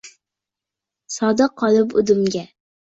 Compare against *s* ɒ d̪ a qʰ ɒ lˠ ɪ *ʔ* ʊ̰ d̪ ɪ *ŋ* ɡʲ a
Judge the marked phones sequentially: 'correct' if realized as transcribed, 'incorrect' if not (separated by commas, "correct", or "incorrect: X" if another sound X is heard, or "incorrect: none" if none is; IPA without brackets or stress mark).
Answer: correct, incorrect: p, incorrect: m